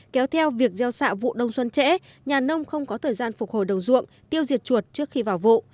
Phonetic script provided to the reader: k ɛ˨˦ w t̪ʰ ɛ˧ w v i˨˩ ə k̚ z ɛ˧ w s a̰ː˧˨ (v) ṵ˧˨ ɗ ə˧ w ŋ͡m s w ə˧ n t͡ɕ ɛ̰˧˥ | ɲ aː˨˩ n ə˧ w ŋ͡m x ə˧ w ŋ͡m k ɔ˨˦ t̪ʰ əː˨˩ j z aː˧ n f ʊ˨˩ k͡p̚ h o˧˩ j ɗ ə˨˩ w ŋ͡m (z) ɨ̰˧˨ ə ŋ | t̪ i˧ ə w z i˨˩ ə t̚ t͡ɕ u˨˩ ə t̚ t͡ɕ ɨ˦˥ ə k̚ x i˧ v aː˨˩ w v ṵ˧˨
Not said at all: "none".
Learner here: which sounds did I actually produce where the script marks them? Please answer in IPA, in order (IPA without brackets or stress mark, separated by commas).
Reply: v, z